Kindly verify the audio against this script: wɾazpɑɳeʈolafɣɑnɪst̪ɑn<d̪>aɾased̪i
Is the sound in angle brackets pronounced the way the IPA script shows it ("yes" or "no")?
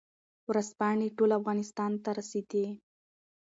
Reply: no